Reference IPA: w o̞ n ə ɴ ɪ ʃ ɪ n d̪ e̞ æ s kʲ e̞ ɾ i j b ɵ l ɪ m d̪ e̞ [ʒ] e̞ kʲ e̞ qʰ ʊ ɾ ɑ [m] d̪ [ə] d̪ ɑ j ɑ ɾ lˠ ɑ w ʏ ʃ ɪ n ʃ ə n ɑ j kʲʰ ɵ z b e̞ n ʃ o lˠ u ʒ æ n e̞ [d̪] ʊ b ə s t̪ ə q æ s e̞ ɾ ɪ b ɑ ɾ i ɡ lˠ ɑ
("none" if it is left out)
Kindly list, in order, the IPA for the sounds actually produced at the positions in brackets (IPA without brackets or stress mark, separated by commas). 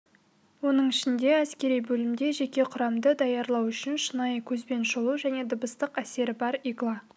ʒ, m, ə, d̪